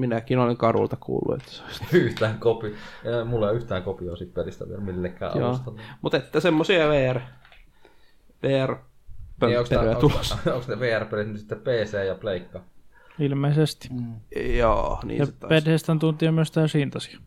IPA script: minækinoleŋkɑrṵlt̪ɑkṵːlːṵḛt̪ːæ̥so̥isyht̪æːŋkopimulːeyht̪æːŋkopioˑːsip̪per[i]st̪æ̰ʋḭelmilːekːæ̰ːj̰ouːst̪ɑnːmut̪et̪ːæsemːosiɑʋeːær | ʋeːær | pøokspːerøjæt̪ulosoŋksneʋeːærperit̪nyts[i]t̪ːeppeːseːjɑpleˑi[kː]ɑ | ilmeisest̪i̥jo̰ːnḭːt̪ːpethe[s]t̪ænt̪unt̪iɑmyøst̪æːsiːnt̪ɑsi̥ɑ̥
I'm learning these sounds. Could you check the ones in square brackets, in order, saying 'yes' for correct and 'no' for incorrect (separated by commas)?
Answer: yes, yes, yes, yes